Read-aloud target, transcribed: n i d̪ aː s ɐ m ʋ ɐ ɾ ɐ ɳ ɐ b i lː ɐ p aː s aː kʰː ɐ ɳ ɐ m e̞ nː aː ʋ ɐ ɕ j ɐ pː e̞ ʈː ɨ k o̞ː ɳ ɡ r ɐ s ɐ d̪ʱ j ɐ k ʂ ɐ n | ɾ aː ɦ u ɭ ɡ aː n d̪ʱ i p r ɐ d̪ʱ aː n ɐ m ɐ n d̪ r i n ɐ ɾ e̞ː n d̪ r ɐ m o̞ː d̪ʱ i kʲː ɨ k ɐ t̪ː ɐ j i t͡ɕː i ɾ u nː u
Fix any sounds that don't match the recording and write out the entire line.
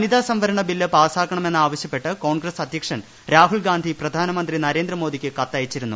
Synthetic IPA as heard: n i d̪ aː s ɐ m ʋ ɐ ɾ ɐ ɳ ɐ b i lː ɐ p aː s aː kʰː ɐ ɳ ɐ m e̞ nː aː ʋ ɐ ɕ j ɐ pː e̞ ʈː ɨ k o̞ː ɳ ɡ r ɐ s ɐ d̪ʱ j ɐ k ʂ ɐ n | ɾ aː ɦ u ɭ ɡ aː n d̪ʱ i p r ɐ d̪ʱ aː n ɐ m ɐ n d̪ r i n ɐ ɾ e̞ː n d̪ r ɐ m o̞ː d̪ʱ i kʲː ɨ k ɐ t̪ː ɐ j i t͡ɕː i ɾ u nː u